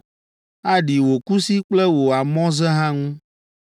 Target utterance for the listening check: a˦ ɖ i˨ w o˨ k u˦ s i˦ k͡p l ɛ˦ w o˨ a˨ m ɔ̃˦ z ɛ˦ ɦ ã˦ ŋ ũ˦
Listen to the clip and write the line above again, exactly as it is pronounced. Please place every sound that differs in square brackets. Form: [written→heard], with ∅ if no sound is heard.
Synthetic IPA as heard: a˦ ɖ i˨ w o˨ k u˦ s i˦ k͡p l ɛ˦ w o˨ a˨ m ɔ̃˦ z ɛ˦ ɦ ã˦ ŋ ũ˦